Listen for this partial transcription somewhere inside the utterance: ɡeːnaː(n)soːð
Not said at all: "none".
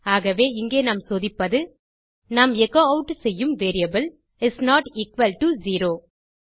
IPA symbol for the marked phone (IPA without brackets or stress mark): m